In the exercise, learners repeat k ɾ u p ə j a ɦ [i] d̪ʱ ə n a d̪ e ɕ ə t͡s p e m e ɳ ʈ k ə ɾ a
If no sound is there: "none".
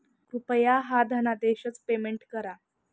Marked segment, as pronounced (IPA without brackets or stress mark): a